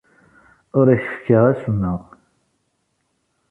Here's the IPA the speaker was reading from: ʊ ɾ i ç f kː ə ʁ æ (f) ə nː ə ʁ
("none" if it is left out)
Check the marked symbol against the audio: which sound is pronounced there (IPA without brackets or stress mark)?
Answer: s